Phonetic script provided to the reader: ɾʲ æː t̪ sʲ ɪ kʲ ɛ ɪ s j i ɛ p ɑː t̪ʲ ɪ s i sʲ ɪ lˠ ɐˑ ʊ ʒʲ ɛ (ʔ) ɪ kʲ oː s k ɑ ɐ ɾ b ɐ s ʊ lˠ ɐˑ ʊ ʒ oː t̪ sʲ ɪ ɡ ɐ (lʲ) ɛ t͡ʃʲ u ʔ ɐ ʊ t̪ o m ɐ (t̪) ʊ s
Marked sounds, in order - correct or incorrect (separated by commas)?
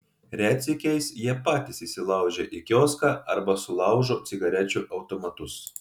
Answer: correct, incorrect, correct